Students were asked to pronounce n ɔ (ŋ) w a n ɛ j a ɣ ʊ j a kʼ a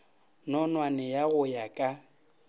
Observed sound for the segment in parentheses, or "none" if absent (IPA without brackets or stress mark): n